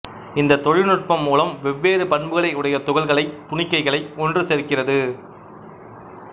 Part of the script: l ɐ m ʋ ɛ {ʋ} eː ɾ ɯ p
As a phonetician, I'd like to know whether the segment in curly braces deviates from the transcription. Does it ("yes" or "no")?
yes